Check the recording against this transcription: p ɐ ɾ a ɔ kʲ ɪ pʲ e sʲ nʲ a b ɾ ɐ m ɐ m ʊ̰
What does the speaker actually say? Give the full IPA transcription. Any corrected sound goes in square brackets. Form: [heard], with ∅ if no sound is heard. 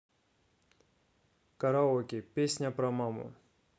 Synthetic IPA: [k] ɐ ɾ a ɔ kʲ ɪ pʲ e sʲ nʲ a [p] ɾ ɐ m [a] m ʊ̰